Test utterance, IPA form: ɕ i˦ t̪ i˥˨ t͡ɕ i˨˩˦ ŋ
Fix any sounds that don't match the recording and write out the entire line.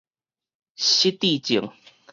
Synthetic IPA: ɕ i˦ t̪ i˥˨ t͡ɕ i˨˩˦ ŋ